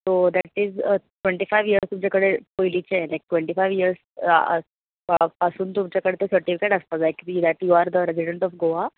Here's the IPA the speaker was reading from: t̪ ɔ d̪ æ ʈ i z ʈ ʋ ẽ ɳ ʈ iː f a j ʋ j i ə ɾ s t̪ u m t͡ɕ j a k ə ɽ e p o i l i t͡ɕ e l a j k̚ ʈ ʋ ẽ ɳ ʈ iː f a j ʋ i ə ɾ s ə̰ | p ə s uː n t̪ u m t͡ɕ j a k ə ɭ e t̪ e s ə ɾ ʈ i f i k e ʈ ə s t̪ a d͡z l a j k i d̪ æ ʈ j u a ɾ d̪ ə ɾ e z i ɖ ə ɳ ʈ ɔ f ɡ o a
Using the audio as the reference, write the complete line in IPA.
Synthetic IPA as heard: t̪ o d̪ æ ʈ i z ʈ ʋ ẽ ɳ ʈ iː f a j ʋ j i ə ɾ s t̪ u m t͡ɕ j a k ə ɽ e p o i l i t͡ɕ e l a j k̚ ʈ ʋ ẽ ɳ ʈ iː f a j ʋ i ə ɾ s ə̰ | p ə s uː n t̪ u m t͡ɕ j a k ə ɽ e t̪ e s ə ɾ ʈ i f i k e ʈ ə s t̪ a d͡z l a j k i d̪ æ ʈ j u a ɾ d̪ ə ɾ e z i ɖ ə ɳ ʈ ɔ f ɡ o a